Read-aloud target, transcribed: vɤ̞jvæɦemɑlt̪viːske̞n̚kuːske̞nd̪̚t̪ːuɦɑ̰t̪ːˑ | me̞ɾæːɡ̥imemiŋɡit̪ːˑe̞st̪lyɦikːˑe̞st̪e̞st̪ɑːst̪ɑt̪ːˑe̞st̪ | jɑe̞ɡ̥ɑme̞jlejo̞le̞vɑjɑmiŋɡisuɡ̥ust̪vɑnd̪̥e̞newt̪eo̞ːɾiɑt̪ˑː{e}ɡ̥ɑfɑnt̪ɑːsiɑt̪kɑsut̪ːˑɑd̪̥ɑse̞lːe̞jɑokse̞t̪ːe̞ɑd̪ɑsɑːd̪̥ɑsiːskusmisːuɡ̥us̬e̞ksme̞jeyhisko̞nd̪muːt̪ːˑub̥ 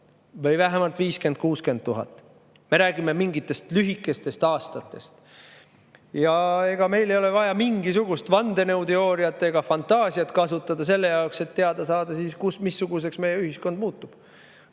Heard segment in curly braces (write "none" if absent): e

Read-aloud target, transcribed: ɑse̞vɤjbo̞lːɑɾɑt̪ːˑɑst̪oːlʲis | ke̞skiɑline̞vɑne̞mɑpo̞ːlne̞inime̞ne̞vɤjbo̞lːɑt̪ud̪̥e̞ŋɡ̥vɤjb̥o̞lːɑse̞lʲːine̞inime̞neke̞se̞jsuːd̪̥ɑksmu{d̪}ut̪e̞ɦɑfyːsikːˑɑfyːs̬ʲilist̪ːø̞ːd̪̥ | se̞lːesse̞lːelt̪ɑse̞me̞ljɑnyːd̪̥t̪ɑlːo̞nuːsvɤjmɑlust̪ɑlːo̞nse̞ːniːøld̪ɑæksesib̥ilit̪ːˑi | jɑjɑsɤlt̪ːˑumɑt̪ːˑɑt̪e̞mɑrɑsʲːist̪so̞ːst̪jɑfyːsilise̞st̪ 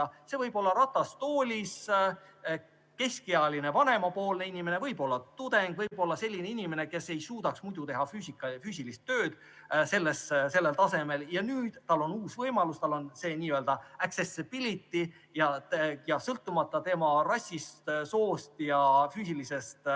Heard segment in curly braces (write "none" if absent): d̪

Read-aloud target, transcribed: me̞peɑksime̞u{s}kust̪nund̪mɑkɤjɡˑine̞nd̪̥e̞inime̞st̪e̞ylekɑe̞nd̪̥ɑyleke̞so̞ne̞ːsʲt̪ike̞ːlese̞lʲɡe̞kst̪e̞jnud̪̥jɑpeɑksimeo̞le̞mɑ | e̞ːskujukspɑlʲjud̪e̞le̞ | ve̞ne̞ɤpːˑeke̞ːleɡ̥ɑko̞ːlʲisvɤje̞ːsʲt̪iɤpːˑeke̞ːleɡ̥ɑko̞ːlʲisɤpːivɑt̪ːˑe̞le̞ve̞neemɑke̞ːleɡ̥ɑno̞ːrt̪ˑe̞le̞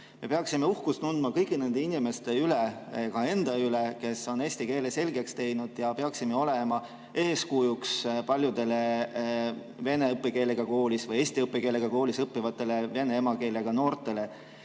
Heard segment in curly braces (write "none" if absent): h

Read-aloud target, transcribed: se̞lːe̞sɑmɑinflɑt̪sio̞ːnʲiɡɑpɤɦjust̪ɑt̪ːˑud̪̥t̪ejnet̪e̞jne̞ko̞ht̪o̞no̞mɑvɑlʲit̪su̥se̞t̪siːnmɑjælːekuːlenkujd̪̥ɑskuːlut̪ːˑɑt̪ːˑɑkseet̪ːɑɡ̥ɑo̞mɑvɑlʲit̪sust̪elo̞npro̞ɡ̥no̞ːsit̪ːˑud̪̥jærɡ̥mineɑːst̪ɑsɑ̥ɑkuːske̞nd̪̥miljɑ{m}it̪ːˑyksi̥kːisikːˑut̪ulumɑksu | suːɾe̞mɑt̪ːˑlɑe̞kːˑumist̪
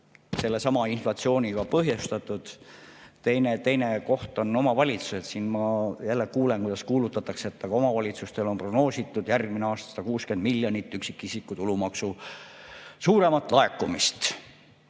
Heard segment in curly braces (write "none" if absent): n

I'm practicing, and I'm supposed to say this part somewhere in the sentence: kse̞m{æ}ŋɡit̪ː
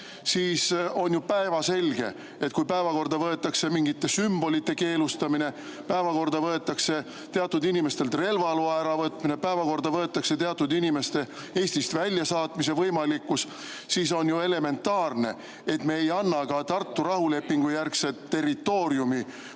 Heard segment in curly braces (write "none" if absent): i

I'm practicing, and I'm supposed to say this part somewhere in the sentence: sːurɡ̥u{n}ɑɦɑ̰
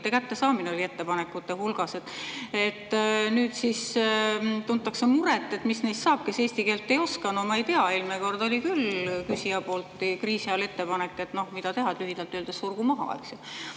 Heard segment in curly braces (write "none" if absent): m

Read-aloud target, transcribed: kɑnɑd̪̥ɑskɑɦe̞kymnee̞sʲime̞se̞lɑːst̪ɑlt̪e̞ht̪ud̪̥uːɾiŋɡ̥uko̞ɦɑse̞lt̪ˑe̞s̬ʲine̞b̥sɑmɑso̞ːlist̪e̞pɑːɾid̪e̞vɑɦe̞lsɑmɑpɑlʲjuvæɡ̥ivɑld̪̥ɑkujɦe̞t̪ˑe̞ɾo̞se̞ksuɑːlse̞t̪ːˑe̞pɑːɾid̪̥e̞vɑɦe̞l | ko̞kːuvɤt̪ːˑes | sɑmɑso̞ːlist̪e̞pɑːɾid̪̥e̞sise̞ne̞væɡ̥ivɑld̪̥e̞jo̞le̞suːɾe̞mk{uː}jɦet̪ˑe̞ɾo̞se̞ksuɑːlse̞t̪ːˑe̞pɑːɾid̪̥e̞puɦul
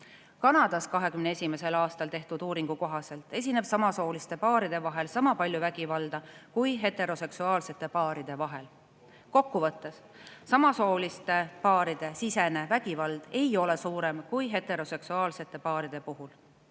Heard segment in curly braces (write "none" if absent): u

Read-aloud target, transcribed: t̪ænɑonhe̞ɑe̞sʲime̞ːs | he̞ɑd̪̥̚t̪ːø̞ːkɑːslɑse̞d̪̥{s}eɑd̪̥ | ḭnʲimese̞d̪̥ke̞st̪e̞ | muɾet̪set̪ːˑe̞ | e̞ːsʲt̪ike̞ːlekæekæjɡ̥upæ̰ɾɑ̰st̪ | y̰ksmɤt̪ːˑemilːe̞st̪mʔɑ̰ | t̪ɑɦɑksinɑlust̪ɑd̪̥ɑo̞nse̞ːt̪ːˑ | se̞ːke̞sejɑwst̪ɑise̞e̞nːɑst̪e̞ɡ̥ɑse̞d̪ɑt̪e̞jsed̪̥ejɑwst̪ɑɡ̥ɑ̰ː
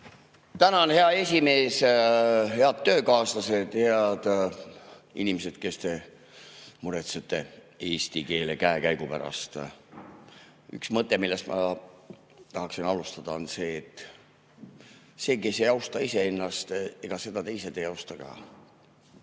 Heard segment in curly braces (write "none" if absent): h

